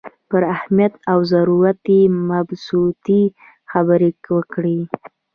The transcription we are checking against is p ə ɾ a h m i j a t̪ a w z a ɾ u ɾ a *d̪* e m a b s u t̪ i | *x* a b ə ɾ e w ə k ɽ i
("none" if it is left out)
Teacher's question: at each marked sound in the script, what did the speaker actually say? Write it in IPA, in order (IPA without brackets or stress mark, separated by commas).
t̪, x